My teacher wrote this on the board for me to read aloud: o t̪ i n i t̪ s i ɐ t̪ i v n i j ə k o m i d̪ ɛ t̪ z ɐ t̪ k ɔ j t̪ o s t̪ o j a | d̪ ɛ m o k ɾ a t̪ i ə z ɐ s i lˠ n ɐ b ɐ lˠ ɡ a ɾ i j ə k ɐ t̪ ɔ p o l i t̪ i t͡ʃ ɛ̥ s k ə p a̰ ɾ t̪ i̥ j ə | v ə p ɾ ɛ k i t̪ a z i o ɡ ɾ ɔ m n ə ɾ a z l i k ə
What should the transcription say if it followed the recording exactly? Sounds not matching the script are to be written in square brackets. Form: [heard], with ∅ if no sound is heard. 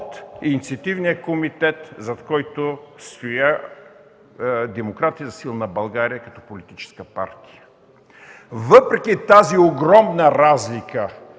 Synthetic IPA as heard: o t̪ i n i t̪ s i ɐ t̪ i v n i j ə k o m i [t̪] ɛ t̪ z ɐ t̪ k ɔ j t̪ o s t̪ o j a | d̪ ɛ m o k ɾ a t̪ i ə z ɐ s i lˠ n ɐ b ɐ lˠ ɡ a ɾ i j ə k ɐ t̪ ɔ p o l i t̪ i t͡ʃ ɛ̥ s k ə p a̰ ɾ t̪ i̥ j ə | v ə p ɾ ɛ k i t̪ a z i o ɡ ɾ ɔ m n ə ɾ a z l i k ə